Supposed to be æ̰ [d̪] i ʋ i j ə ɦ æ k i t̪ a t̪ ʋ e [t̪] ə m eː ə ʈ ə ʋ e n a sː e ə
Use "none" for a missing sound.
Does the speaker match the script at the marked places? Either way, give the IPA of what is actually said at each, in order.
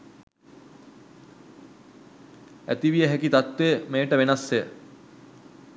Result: t̪, none

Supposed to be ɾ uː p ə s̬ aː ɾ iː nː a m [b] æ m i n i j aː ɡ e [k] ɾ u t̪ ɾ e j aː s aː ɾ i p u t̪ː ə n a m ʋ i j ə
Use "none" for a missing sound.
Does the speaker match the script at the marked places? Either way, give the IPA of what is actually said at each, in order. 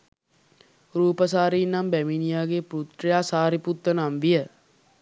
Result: b, p

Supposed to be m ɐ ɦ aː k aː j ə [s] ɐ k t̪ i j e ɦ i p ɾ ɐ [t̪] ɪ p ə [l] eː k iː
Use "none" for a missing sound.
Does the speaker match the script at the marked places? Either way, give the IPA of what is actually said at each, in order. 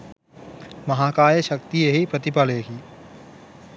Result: ʃ, t̪, l

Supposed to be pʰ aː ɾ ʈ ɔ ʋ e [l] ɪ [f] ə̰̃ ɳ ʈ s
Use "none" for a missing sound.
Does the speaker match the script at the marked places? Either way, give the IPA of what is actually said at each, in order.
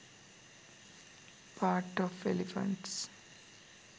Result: l, f

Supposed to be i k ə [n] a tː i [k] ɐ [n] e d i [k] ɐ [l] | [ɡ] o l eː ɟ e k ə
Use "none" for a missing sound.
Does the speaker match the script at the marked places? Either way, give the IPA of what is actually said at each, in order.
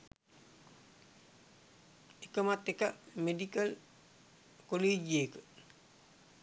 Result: m, k, m, k, l, k

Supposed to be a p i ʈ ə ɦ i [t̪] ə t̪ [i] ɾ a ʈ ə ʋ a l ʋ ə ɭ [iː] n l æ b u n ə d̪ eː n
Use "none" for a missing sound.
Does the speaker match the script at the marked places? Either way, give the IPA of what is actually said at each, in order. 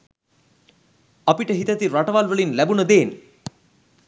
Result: t̪, i, i

